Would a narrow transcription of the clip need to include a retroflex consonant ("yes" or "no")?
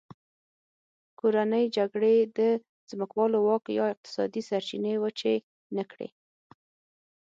yes